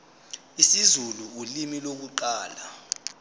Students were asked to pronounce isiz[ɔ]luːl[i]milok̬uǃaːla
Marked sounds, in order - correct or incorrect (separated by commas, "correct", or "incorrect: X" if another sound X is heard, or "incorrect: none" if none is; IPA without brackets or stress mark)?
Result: incorrect: u, correct